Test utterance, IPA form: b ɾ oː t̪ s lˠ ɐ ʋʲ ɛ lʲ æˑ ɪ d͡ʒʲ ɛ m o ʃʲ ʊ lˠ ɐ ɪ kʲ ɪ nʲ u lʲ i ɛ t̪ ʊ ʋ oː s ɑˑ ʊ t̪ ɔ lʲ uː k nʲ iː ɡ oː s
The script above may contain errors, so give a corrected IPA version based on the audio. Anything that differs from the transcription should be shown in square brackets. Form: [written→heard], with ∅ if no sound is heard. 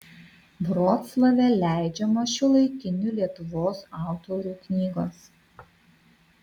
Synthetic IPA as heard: b ɾ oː t̪ s lˠ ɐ ʋʲ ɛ lʲ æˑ ɪ d͡ʒʲ ɛ m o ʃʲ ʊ lˠ ɐ ɪ kʲ ɪ nʲ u lʲ i ɛ t̪ ʊ ʋ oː s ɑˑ ʊ t̪ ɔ [lʲ→ɾʲ] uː k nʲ iː ɡ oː s